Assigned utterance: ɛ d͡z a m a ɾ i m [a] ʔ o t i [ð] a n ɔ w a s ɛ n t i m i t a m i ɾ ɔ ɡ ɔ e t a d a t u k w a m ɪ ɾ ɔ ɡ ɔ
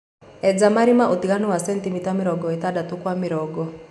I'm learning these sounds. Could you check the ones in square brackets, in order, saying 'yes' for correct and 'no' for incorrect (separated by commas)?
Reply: yes, no